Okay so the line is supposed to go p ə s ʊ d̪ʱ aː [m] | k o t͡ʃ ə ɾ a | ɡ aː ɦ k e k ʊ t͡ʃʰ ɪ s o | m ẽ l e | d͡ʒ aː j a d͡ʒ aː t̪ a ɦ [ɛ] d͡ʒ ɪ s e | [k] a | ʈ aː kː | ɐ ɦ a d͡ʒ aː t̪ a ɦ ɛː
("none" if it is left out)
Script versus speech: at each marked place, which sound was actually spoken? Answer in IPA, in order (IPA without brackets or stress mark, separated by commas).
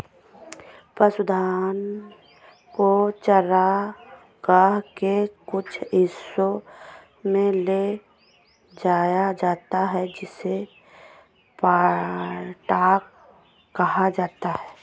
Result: n, ɛ, p